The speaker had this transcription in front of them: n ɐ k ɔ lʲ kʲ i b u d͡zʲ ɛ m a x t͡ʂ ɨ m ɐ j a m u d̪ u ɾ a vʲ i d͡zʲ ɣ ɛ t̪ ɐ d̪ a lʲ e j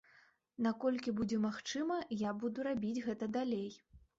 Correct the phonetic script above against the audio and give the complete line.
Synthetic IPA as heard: n a k ɔ lʲ kʲ i b u d͡zʲ ɛ m a x t͡ʂ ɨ m ɐ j a b u d̪ u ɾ a bʲ i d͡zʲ ɣ ɛ t̪ ɐ d̪ a lʲ e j